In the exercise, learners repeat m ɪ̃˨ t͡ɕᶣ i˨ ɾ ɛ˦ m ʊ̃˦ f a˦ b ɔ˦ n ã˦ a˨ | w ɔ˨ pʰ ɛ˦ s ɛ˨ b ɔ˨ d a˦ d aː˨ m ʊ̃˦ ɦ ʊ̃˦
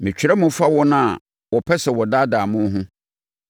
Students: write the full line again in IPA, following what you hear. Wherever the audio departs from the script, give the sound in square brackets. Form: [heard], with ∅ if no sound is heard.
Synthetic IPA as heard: m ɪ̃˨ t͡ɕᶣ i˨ ɾ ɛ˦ m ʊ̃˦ f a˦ [w] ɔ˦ n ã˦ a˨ | w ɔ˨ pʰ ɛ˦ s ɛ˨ [w] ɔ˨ d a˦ d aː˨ m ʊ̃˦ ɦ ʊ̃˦

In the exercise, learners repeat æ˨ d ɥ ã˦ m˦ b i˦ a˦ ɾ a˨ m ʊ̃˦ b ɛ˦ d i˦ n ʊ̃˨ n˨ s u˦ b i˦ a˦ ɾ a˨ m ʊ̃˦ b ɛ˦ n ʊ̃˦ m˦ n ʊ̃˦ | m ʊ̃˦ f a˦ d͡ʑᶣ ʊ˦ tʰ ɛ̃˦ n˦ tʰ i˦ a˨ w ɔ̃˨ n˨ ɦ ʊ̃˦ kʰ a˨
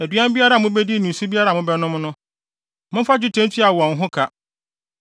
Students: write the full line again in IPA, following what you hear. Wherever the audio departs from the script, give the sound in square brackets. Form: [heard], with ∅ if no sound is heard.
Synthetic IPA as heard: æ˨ d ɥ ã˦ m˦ b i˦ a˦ ɾ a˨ m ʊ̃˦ b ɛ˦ d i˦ n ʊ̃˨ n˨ s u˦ b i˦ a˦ ɾ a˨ m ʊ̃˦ b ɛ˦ n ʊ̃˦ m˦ n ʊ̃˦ | m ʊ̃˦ f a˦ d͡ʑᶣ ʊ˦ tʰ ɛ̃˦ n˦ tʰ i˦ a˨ w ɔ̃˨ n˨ ɦ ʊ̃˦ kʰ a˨

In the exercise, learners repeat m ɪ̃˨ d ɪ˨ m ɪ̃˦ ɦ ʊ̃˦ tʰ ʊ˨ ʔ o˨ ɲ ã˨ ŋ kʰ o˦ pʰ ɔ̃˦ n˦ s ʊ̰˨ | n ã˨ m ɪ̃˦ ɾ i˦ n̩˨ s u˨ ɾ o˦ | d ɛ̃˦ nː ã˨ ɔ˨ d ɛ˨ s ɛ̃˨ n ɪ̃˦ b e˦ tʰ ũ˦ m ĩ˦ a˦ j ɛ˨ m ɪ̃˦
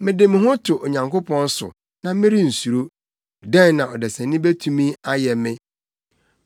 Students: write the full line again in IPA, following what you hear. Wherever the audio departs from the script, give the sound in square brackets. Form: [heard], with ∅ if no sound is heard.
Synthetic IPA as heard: m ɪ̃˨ d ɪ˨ m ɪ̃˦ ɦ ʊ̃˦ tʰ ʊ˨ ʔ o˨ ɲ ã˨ ŋ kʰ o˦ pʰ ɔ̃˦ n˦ s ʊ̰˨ | n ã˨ m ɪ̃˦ ɾ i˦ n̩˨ s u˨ ɾ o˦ | d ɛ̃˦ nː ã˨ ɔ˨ d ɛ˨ s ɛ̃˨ n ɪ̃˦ b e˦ tʰ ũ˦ m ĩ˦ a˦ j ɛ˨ m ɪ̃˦

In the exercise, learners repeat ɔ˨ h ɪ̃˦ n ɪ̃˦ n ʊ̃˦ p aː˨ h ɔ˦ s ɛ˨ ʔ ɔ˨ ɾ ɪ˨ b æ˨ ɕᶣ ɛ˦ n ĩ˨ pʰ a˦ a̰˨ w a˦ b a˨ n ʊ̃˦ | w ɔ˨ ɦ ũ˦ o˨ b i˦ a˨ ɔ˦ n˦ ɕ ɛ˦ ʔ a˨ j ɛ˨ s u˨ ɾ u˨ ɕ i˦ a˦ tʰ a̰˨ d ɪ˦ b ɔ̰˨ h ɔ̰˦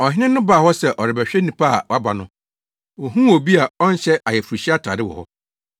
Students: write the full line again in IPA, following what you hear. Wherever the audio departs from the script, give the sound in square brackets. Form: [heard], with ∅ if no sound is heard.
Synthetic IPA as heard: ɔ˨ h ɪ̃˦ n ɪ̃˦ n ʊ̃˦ [b] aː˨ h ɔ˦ s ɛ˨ ʔ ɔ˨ ɾ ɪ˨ b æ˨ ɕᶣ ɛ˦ n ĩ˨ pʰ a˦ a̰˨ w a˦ b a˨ n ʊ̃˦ | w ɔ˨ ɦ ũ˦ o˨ b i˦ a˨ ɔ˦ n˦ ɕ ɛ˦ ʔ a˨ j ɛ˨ [f] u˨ ɾ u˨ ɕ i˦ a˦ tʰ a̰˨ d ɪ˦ [w] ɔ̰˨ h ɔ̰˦

